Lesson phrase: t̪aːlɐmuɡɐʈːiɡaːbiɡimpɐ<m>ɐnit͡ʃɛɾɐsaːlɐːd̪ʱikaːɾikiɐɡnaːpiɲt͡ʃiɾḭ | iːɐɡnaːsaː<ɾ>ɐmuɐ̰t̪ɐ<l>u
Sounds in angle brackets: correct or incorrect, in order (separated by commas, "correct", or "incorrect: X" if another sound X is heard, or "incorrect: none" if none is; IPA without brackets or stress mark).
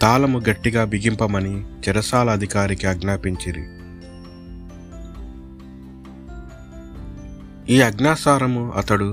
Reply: correct, correct, incorrect: ɽ